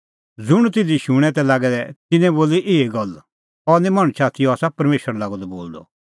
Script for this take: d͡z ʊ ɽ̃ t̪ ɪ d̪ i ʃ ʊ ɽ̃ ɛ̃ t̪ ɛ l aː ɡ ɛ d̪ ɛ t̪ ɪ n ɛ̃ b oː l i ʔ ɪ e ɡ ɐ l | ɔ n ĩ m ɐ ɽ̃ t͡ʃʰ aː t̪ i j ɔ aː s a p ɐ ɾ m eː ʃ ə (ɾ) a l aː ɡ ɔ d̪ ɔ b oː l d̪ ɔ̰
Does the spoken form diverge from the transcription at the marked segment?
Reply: no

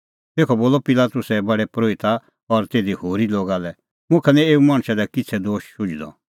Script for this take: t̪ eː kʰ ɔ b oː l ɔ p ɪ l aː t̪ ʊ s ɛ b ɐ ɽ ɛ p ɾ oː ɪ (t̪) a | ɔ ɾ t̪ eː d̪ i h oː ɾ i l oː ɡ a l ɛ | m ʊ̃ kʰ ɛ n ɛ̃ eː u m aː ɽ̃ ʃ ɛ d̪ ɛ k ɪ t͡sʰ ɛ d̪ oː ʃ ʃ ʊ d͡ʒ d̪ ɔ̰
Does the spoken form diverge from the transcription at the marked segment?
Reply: no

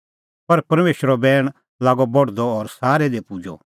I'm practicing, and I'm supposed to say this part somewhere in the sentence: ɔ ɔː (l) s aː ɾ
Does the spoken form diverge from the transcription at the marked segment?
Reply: yes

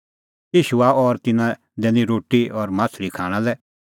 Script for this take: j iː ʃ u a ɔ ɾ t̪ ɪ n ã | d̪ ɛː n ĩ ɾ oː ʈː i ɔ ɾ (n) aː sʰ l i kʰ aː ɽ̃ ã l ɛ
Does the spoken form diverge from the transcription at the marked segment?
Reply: yes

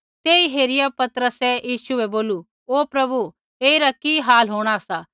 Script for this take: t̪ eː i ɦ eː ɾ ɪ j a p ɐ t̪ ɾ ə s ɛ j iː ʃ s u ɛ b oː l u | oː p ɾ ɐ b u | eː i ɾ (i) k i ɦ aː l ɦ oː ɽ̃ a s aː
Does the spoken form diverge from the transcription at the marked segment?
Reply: yes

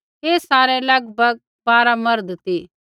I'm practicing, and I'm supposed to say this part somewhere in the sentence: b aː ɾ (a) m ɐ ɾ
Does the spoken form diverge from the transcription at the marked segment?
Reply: no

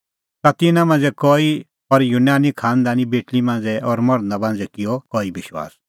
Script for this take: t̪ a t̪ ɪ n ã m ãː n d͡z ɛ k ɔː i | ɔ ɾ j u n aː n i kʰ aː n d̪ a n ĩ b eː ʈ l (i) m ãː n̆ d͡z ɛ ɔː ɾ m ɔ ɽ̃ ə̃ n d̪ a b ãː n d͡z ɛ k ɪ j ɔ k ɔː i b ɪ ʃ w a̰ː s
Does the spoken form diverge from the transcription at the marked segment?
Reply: no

